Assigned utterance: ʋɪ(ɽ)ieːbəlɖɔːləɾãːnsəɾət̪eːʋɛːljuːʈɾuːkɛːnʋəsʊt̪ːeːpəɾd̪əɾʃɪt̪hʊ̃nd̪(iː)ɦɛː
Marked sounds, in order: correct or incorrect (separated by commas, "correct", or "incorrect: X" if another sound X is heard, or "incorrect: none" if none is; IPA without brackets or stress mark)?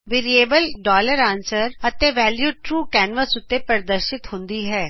incorrect: ɾ, correct